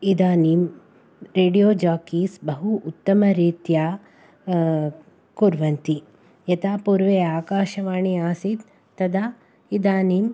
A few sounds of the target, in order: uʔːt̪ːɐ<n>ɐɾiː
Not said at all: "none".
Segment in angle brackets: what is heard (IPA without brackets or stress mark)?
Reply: m